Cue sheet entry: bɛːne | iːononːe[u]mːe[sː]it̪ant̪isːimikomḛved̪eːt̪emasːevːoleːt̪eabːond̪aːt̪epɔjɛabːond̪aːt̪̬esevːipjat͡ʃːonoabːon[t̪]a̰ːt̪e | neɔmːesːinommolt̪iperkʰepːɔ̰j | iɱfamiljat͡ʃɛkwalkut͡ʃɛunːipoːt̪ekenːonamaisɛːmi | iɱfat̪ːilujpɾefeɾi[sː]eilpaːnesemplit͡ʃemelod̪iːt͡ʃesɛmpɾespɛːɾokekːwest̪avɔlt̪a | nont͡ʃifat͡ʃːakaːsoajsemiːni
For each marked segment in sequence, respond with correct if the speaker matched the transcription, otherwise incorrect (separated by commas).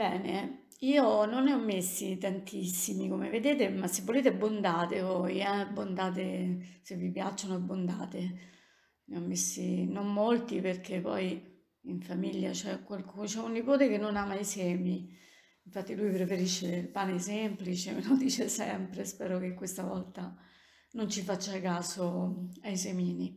incorrect, correct, incorrect, incorrect